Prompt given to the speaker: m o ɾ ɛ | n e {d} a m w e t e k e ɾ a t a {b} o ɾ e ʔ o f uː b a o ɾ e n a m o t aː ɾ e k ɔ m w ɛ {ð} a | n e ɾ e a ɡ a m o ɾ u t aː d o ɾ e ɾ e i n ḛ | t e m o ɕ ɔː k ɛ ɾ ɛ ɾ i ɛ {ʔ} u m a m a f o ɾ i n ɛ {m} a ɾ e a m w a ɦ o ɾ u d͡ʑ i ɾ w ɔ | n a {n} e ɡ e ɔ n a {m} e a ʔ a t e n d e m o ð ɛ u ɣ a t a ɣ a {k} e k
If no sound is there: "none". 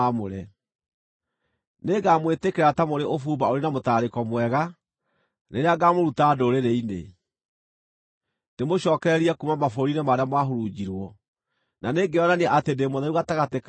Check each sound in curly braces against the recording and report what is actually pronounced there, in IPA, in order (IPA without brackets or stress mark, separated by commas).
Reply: ɡ, m, ɣ, k, m, n, n, t